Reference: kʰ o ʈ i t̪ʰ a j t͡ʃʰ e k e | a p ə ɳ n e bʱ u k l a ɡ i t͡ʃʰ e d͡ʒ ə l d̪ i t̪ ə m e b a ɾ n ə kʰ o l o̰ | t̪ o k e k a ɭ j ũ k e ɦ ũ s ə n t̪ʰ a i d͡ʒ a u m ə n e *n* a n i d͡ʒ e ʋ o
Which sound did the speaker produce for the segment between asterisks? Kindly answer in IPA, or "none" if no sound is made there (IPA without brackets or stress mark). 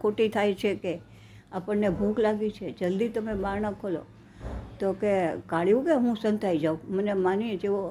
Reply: m